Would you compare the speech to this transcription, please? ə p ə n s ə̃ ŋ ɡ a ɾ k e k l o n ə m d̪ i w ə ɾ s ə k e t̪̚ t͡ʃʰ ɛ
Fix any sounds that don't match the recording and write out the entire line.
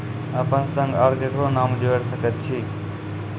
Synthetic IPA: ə p ə n s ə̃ ŋ ɡ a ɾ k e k ɾ o n a m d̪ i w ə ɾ s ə k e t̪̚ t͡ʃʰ i

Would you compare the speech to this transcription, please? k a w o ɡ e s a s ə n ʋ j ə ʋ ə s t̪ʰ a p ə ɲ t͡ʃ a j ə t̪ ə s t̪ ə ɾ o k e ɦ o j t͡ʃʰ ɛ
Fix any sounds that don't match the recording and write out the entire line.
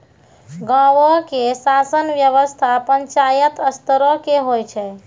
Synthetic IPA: ɡ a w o k e s a s ə n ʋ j ə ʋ ə s t̪ʰ a p ə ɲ t͡ʃ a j ə t̪ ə s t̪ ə ɾ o k e ɦ o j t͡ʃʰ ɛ

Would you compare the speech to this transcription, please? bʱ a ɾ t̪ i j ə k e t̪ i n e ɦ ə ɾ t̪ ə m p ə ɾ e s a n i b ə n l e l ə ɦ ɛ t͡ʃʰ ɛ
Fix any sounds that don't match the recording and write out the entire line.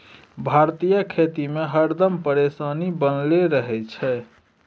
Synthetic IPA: bʱ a ɾ t̪ i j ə kʰ e t̪ i m e ɦ ə ɾ d̪ ə m p ə ɾ e s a n i b ə n l e ɾ ə ɦ ɛ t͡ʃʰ ɛ

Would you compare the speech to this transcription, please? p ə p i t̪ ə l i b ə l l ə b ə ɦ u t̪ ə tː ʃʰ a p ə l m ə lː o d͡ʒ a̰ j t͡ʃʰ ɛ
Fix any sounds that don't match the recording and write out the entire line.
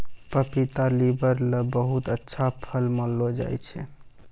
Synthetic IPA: p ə p i t̪ a l i b ə ɾ l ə b ə ɦ u t̪ ə tː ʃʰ a pʰ ə l m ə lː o d͡ʒ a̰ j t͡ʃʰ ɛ

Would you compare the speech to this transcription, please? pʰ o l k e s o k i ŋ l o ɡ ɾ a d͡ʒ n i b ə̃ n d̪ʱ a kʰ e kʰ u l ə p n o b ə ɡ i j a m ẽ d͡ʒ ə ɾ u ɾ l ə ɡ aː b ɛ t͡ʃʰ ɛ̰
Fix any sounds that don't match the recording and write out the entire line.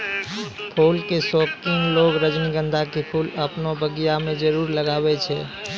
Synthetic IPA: pʰ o l k e s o k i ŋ l o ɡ ɾ ə d͡ʒ n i ɡ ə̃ n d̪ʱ a k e pʰ u l ə p n o b ə ɡ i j a m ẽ d͡ʒ ə ɾ u ɾ l ə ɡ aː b ɛ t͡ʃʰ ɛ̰

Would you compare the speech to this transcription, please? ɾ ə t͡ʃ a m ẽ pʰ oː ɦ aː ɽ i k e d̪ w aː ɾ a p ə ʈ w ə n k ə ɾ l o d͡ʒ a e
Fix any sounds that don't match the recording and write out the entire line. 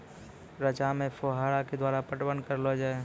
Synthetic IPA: ɾ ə t͡ʃ a m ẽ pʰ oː ɦ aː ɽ a k e d̪ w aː ɾ a p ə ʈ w ə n k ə ɾ l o d͡ʒ a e

